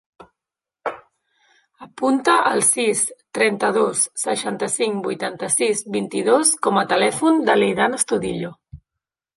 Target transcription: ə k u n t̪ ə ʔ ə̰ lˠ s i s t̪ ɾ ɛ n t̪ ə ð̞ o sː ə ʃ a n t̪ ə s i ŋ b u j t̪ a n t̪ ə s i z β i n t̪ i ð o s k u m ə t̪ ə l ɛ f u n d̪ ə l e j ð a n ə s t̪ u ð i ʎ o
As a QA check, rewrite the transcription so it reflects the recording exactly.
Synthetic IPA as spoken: ə p u n t̪ ə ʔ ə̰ lˠ s i s t̪ ɾ ɛ n t̪ ə ð̞ o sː ə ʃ a n t̪ ə s i ŋ b u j t̪ a n t̪ ə s i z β i n t̪ i ð o s k ɔ m ə t̪ ə l ɛ f u n d̪ ə l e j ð a n ə s t̪ u ð i ʎ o